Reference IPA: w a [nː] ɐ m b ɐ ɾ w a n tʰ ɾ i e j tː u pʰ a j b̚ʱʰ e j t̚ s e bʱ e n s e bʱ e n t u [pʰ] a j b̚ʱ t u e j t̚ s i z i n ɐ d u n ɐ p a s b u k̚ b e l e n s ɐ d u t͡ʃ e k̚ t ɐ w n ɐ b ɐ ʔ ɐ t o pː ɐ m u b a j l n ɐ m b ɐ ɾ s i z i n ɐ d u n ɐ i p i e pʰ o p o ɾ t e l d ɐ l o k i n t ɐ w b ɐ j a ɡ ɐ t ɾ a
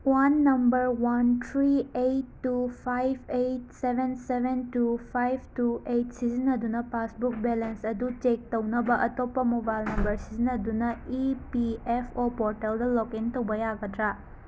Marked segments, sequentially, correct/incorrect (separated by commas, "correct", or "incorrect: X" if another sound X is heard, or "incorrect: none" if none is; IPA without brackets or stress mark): correct, correct